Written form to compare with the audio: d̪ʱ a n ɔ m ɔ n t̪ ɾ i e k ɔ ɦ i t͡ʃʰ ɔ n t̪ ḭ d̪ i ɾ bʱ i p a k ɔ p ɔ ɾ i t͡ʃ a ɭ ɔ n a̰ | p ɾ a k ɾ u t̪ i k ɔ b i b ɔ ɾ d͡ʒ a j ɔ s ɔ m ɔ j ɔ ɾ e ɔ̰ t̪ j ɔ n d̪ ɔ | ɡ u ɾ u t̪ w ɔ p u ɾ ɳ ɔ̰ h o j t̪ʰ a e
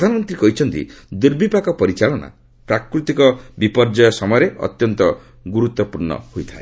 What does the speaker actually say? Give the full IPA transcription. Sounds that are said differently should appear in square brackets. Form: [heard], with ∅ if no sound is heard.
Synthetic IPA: d̪ʱ a n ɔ m ɔ n t̪ ɾ i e k ɔ ɦ i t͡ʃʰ ɔ n t̪ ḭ d̪ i ɾ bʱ i p a k ɔ p ɔ ɾ i t͡ʃ a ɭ ɔ n a̰ | p ɾ a k ɾ u t̪ i k ɔ b i [p] ɔ ɾ d͡ʒ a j ɔ s ɔ m ɔ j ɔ ɾ e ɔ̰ t̪ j ɔ n [t̪] ɔ | ɡ u ɾ u t̪ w ɔ p u ɾ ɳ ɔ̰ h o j t̪ʰ a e